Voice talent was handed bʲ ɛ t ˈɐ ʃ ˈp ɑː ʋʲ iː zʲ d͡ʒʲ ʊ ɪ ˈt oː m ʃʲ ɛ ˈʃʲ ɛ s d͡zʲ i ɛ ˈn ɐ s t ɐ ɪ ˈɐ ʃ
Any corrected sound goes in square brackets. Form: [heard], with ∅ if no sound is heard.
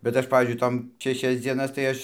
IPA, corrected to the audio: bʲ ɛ t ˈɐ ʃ ˈp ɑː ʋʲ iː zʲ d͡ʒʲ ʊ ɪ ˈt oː m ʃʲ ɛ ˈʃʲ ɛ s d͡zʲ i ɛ ˈn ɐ s t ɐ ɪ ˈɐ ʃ